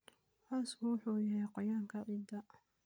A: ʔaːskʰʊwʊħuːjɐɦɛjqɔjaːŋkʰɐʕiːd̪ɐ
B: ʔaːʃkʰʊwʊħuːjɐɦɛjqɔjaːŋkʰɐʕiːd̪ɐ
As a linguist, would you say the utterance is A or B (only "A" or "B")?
A